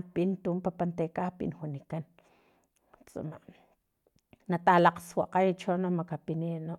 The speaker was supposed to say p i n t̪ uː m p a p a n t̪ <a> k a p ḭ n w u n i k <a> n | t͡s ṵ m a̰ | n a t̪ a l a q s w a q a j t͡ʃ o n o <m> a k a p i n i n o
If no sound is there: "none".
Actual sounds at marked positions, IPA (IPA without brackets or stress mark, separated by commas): e, a, m